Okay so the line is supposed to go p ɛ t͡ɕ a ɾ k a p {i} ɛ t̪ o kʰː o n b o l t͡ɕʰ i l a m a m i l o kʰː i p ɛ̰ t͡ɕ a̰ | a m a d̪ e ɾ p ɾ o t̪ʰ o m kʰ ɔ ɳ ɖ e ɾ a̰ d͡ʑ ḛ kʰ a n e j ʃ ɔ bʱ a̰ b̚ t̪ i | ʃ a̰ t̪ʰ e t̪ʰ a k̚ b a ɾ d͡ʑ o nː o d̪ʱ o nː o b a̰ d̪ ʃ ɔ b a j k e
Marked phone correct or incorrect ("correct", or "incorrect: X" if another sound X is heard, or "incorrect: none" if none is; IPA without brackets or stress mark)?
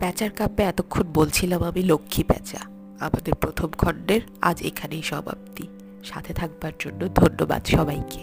incorrect: e